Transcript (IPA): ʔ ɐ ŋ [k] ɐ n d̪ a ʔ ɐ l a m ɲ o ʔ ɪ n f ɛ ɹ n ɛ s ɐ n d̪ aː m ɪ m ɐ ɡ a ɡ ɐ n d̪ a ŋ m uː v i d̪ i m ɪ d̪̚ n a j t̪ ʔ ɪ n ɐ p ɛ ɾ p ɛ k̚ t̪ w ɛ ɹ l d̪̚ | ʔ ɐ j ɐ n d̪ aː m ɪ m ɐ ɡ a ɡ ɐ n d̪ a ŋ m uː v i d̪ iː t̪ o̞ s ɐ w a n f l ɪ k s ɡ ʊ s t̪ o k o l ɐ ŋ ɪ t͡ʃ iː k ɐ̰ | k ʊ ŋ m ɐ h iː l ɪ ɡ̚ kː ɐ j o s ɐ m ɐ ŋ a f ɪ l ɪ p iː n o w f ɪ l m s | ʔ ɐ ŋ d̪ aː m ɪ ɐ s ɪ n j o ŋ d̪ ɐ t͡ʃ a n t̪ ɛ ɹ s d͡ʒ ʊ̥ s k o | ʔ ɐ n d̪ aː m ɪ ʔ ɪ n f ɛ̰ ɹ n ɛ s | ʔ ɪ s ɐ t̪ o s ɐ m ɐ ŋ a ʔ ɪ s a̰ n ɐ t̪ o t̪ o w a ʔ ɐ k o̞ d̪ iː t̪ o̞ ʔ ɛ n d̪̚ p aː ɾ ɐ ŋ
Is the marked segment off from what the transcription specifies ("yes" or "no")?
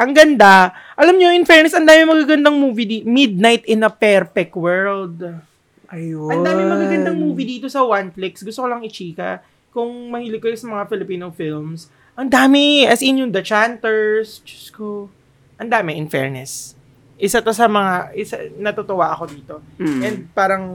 yes